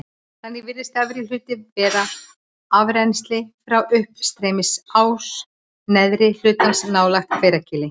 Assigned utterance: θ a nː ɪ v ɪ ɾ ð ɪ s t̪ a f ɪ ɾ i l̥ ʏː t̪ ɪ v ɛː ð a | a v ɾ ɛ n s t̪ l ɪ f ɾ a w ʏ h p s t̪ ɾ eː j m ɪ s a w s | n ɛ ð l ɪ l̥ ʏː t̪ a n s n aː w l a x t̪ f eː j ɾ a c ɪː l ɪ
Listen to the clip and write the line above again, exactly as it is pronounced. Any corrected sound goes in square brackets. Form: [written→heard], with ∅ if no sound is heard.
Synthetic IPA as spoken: θ a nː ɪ v ɪ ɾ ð ɪ s t̪ a [f→v] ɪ ɾ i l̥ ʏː t̪ ɪ v ɛː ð a | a v ɾ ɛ n s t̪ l ɪ f ɾ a w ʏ h p s t̪ ɾ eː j m ɪ s a w s | n ɛ ð [l→ɾ] ɪ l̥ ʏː t̪ a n s n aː w l a x t̪ f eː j ɾ a c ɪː l ɪ

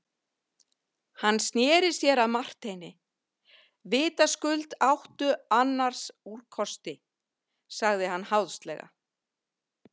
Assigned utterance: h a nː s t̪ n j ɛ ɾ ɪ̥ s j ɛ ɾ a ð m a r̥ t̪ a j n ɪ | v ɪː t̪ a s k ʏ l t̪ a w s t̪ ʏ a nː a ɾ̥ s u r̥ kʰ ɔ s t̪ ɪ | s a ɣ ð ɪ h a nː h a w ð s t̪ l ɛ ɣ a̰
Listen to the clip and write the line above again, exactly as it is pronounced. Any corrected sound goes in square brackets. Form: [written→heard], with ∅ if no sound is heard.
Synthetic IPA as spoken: h a nː s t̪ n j [ɛ→ɛː] ɾ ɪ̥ s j ɛ ɾ a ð m a r̥ t̪ [a→e] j n ɪ | v ɪː t̪ a s k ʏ l t̪ a w [s→h] t̪ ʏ a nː a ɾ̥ s u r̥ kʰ ɔ s t̪ ɪ | s a ɣ ð ɪ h a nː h a w ð s t̪ l ɛ ɣ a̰

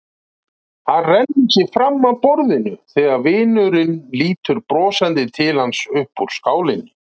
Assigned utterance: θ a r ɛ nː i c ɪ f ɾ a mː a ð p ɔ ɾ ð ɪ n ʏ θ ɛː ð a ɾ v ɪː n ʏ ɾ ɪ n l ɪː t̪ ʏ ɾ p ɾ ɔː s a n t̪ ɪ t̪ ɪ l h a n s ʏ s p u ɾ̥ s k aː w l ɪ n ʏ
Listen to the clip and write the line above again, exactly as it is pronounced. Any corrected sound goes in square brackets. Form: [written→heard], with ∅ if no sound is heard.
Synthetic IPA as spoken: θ a r ɛ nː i c ɪ f ɾ a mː a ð p ɔ ɾ ð ɪ n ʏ θ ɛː [ð→ɣ] a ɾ v ɪː n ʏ ɾ ɪ n l [ɪː→iː] t̪ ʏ ɾ p ɾ ɔː s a n t̪ ɪ [t̪→t̪ʰ] ɪ l h a n s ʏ [s→h] p u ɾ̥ s k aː w l ɪ n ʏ

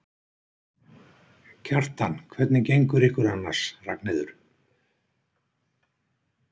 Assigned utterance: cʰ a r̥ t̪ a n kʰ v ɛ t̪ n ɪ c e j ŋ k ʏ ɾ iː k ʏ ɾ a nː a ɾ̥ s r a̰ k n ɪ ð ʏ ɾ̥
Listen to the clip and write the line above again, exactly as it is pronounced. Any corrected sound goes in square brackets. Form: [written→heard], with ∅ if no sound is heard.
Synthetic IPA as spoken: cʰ a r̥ t̪ a n kʰ v ɛ t̪ n ɪ c e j ŋ k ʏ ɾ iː k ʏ ɾ a nː a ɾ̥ s r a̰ k n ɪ ð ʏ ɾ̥

